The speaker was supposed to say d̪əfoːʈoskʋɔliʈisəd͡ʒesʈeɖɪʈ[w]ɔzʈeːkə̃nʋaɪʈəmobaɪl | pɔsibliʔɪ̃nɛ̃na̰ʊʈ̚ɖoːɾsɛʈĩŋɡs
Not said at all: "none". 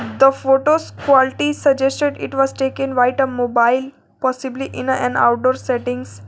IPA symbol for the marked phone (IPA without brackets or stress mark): ʋ